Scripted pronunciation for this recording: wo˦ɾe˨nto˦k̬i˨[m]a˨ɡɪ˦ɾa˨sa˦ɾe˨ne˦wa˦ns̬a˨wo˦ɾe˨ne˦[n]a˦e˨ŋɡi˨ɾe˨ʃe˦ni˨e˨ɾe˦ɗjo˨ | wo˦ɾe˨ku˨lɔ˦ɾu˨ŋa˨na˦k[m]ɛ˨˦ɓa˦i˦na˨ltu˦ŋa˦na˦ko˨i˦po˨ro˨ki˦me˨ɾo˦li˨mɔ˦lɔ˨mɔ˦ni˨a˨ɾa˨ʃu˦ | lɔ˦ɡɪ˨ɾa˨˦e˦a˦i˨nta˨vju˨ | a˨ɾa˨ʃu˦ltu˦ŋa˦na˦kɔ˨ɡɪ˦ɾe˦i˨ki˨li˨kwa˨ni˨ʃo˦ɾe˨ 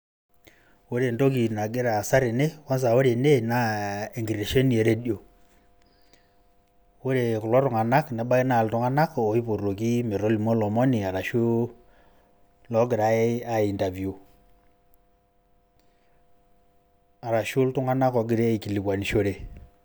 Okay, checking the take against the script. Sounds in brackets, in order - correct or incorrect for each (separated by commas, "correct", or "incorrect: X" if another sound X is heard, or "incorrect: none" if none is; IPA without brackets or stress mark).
incorrect: n, correct, incorrect: n